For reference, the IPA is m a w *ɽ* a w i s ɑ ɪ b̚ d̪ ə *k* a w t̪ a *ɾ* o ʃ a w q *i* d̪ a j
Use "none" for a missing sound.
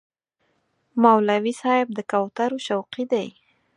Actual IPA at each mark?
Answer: l, k, ɾ, i

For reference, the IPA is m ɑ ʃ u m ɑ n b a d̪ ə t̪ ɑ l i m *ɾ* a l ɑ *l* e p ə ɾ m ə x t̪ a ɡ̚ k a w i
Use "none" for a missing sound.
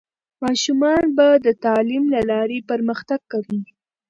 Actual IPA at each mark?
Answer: l, ɾ

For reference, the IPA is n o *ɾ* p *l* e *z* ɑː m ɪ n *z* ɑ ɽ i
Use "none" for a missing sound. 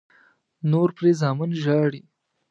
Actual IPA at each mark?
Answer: ɾ, ɾ, z, ʒ

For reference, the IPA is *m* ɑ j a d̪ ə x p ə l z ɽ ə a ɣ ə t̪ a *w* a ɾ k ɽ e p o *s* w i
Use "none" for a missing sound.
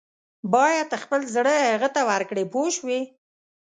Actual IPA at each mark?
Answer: b, w, ʃ

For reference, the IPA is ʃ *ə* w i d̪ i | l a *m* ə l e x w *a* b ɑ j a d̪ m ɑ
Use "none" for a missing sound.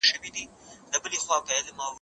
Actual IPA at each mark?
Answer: ə, b, ɑ

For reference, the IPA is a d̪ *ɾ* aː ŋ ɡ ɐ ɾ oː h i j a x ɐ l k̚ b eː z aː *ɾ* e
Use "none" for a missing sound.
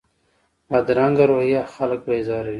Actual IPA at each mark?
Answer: ɾ, ɾ

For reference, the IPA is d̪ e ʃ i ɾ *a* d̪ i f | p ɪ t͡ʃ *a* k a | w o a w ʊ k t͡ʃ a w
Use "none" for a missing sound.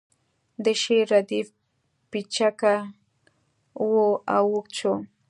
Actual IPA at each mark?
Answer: a, a

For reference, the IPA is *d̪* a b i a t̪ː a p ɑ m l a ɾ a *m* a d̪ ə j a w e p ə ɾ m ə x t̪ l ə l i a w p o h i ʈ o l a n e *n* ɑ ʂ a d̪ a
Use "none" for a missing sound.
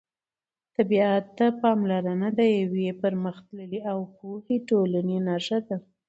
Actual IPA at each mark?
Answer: t̪, n, n

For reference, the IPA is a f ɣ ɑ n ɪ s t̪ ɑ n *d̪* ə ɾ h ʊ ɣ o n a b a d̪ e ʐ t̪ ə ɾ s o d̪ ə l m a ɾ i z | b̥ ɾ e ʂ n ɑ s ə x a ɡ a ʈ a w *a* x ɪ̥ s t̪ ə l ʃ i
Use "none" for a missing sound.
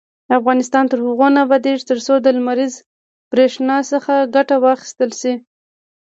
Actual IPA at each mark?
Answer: t̪, ɑ

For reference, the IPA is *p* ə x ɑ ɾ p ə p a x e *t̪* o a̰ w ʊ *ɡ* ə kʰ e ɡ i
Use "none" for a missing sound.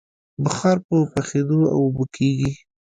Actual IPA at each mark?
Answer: b, d̪, b

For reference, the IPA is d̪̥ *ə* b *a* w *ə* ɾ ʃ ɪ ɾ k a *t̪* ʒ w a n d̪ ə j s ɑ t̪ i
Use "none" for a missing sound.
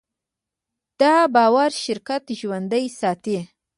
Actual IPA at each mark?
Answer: ɑ, ɑ, a, t̪

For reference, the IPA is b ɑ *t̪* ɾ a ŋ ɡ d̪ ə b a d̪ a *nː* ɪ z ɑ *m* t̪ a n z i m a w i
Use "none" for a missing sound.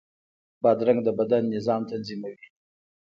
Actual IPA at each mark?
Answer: d̪, nː, m

